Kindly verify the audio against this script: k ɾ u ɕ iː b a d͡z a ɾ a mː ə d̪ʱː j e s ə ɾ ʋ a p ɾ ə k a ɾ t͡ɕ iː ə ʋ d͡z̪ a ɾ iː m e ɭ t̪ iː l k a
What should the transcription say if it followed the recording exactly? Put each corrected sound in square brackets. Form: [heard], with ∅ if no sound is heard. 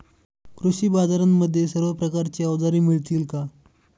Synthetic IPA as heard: k ɾ u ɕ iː b a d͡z a ɾ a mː ə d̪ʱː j e s ə ɾ ʋ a p ɾ ə k a ɾ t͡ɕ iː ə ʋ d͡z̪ a ɾ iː m [i] ɭ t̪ iː l k a